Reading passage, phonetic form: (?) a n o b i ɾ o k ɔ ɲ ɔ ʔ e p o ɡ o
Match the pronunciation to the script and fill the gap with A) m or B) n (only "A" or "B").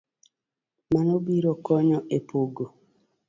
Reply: A